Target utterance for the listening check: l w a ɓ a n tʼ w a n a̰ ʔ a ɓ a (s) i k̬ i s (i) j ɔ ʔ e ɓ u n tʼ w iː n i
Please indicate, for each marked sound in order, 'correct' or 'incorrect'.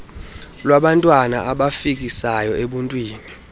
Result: incorrect: f, incorrect: a

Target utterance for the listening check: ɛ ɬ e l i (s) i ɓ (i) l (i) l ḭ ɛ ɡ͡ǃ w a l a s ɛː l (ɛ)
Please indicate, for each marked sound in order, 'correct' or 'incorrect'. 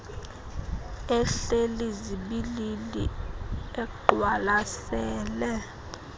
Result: incorrect: z, correct, correct, correct

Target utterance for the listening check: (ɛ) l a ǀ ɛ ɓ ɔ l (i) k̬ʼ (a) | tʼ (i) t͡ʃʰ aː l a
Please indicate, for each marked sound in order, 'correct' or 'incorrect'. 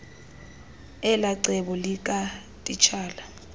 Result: correct, correct, correct, correct

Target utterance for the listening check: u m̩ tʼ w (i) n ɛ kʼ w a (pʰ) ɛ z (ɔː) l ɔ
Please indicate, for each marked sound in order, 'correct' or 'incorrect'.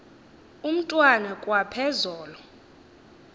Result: incorrect: a, correct, correct

